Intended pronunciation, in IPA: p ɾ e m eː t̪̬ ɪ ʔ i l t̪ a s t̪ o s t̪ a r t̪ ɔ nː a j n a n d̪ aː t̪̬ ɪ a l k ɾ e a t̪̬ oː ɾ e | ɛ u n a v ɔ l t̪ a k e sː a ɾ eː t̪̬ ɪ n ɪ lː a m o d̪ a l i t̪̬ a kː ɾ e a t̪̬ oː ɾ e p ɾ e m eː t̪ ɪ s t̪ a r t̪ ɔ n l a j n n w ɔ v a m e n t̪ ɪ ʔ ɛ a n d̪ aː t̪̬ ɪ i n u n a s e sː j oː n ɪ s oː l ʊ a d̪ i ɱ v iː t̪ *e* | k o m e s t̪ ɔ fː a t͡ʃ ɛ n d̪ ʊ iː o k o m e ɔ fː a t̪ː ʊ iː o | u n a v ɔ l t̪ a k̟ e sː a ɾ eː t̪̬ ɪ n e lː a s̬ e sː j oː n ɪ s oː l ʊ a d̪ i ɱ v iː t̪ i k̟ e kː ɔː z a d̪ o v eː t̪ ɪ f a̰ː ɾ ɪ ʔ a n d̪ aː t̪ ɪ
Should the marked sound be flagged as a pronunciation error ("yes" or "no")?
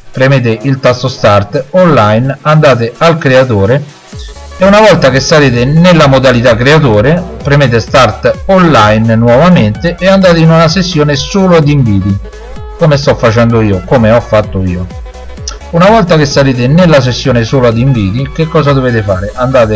yes